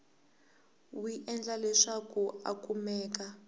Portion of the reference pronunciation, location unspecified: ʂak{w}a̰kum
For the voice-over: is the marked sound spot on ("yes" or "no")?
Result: no